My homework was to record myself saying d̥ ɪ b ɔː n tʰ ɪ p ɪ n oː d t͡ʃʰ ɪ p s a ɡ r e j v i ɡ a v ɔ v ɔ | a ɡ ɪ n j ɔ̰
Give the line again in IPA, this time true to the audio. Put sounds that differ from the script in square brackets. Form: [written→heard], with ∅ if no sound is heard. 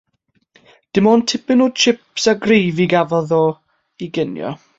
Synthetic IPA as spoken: d̥ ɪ [b→m] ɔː n tʰ ɪ p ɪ n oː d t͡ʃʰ ɪ p s a ɡ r e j v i ɡ a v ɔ [v→ð] ɔ | [a→i] ɡ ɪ n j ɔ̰